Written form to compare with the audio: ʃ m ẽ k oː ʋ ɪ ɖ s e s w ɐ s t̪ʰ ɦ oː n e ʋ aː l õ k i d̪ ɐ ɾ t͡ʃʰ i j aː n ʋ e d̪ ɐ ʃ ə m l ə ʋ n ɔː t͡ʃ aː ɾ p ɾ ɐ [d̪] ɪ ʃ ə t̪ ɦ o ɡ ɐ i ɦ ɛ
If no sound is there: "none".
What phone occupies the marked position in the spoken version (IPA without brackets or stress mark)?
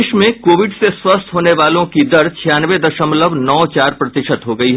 t̪